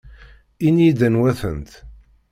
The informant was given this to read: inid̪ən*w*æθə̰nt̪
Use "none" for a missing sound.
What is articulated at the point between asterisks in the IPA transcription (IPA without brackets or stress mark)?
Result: w